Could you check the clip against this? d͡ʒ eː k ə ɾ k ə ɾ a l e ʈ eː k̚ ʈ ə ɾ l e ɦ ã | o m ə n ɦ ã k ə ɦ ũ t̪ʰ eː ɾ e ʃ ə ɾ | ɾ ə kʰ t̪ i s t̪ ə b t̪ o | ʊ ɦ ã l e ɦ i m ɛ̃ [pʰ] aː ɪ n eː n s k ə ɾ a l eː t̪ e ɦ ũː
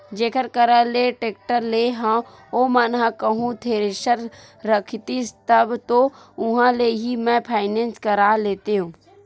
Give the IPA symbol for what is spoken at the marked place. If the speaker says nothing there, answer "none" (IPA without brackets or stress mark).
pʰ